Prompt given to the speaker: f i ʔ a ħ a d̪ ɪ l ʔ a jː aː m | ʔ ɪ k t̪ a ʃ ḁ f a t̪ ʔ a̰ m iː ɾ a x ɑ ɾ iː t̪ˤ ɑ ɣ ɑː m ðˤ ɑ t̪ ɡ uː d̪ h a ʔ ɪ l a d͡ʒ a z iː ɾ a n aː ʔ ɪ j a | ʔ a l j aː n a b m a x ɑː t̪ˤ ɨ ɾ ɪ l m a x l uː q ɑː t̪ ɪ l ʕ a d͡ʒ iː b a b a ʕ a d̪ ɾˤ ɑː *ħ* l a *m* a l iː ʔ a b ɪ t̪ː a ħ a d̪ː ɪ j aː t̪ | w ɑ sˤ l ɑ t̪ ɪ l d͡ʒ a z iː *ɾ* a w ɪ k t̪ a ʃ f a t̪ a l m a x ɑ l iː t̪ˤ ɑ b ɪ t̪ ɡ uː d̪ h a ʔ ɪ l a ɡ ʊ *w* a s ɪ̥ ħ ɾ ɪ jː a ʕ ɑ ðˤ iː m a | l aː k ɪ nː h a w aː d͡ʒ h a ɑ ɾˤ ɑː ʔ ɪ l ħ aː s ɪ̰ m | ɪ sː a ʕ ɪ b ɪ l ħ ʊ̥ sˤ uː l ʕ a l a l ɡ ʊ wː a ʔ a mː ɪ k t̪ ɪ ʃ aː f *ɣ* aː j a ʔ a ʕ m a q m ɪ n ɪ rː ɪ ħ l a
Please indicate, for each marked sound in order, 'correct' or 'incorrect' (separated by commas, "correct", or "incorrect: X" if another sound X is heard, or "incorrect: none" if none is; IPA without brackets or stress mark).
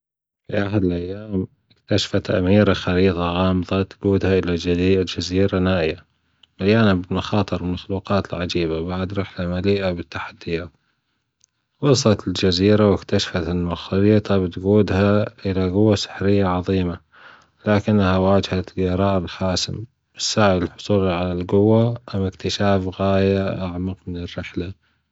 correct, correct, correct, incorrect: wː, correct